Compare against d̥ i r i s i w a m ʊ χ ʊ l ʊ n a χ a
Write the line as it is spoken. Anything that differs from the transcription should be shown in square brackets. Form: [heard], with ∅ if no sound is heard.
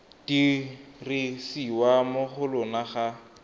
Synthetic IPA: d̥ i r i s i w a m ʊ χ ʊ l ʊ n a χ a